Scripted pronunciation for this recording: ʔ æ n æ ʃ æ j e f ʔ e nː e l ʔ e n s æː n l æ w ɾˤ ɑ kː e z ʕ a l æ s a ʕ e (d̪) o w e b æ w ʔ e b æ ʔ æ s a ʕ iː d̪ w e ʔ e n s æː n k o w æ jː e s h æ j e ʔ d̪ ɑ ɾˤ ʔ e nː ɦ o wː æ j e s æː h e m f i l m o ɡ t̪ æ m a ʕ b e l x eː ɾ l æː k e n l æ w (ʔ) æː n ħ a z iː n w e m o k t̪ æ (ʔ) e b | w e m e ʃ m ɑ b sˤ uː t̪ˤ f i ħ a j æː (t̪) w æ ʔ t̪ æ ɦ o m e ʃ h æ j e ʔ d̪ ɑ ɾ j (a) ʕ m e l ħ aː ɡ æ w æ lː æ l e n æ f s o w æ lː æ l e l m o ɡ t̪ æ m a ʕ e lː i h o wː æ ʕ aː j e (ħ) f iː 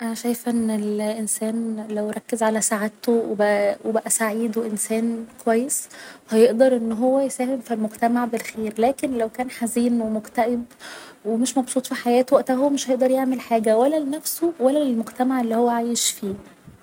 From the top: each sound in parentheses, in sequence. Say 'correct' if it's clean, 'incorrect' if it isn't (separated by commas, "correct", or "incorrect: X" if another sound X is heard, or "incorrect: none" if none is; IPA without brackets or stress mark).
incorrect: t̪, incorrect: k, correct, correct, incorrect: e, incorrect: ʃ